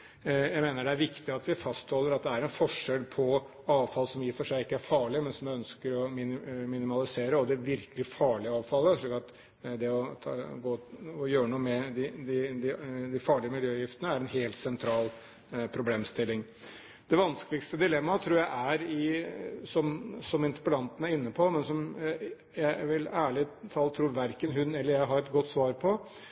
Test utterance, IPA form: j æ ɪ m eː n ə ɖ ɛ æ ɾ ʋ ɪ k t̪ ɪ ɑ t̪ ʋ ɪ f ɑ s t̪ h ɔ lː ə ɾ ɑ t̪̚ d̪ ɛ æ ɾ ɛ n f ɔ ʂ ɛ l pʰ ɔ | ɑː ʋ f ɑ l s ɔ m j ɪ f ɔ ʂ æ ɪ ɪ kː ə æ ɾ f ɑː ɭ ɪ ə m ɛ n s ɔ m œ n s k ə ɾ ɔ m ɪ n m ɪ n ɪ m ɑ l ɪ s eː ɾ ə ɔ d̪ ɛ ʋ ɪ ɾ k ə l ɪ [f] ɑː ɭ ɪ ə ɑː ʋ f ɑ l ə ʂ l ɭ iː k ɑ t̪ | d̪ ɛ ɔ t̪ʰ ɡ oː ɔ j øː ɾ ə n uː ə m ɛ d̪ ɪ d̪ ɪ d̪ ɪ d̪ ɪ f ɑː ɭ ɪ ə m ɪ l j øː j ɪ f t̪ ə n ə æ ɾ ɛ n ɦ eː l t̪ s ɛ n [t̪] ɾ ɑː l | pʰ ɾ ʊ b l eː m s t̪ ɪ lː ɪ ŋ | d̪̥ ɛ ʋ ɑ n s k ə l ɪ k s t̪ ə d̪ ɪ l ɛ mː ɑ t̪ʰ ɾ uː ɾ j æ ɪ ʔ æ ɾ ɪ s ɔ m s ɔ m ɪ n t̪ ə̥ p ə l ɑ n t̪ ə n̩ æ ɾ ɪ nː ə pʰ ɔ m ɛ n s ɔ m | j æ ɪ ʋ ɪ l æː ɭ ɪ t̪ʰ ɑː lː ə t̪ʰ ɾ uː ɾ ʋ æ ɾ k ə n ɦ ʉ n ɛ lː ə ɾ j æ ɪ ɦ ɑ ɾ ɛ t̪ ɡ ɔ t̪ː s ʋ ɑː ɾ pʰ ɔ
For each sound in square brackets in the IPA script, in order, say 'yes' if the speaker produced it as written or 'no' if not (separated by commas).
yes, no